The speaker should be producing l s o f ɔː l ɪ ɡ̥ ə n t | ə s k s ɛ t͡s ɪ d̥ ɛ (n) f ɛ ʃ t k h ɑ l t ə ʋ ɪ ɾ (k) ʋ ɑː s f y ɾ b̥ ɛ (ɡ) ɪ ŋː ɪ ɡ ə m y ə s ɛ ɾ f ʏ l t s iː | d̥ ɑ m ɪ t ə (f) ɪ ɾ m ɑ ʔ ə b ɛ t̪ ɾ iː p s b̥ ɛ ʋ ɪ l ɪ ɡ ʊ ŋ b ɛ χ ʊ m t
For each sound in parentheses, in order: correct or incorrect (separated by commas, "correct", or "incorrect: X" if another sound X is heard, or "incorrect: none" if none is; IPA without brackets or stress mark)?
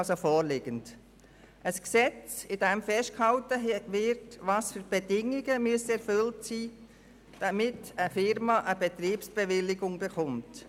incorrect: m, incorrect: t, incorrect: d, correct